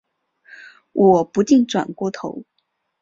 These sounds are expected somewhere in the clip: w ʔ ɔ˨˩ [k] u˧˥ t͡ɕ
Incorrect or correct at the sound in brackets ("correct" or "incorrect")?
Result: incorrect